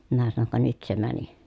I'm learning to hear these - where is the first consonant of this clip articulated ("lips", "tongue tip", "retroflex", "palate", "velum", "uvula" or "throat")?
lips